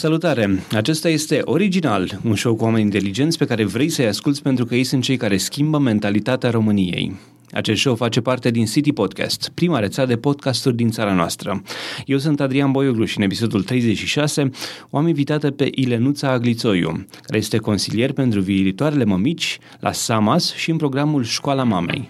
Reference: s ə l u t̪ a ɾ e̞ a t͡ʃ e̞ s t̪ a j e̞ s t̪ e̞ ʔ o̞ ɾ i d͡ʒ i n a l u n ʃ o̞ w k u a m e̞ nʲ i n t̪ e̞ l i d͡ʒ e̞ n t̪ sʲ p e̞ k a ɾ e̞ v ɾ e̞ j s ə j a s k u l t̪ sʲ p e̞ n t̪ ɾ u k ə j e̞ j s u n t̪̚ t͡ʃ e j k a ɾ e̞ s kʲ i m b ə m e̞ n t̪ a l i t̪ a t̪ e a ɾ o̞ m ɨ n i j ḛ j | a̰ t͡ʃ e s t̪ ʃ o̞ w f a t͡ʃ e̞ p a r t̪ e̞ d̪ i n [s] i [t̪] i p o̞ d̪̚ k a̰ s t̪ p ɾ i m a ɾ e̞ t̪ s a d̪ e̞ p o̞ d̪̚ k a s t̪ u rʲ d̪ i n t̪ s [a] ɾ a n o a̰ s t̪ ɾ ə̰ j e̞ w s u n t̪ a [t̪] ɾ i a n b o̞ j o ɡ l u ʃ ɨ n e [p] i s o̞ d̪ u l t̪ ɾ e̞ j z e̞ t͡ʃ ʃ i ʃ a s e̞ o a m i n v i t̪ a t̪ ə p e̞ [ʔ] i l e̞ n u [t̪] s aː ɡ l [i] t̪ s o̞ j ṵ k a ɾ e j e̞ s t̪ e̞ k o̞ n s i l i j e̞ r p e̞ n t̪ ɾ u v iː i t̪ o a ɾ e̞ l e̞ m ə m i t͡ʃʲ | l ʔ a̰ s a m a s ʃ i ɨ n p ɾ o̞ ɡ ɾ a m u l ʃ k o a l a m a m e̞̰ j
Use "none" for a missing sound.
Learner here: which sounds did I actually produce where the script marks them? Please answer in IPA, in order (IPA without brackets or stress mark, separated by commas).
s, t̪, a, d̪, p, ʔ, t̪, i